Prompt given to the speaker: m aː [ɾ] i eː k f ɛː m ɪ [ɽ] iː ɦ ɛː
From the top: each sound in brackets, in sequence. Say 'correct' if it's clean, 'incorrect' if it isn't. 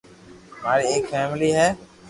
correct, incorrect

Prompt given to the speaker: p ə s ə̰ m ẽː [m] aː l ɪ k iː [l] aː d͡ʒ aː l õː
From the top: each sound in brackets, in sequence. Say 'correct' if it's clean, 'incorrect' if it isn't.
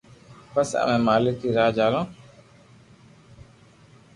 correct, incorrect

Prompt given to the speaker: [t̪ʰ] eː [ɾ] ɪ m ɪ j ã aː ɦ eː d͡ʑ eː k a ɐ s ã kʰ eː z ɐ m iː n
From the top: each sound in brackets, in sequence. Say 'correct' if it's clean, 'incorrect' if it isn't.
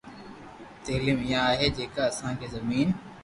incorrect, incorrect

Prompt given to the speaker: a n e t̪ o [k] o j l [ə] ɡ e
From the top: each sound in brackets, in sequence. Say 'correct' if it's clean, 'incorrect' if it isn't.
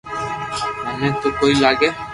correct, incorrect

